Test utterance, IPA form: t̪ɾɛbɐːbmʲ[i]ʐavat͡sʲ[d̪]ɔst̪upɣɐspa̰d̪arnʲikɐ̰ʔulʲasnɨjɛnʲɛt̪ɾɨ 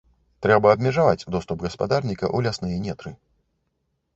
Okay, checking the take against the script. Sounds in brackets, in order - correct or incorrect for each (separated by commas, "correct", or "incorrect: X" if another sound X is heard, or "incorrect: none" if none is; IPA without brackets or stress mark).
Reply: incorrect: ɛ, correct